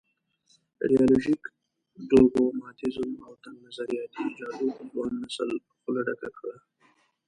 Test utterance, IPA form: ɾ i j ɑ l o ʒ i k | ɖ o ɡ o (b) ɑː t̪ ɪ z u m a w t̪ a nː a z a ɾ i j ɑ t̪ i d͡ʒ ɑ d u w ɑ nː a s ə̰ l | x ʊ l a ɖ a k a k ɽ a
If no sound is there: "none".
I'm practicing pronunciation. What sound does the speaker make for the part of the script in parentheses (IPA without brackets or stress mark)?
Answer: m